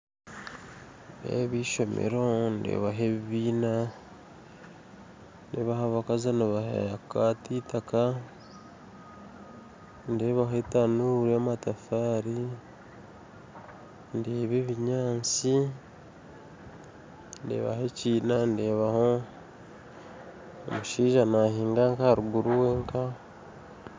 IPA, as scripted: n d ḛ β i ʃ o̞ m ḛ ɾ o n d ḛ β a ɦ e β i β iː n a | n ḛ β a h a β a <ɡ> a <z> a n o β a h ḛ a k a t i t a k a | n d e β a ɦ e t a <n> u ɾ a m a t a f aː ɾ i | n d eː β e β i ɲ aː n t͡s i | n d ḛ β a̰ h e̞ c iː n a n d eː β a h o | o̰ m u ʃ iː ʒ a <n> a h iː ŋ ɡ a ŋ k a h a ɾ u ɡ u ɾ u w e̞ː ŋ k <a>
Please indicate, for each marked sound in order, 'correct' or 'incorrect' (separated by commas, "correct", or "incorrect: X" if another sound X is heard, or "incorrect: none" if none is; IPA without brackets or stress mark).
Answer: incorrect: k, correct, correct, correct, correct